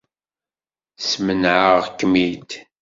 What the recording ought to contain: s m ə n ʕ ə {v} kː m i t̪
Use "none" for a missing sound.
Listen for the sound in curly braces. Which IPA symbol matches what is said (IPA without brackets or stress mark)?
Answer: ʁ